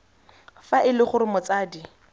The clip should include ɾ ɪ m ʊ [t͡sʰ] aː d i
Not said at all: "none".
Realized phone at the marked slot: t͡s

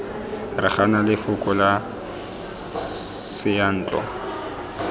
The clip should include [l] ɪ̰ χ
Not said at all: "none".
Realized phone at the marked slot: r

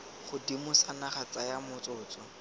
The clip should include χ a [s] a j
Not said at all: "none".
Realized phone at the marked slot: t͡s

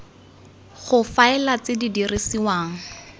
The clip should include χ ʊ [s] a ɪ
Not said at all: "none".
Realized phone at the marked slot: f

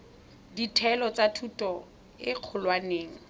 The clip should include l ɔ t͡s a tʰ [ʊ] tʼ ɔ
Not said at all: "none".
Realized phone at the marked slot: u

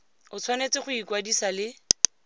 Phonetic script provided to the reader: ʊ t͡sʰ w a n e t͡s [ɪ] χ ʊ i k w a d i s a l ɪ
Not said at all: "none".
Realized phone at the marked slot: ɪ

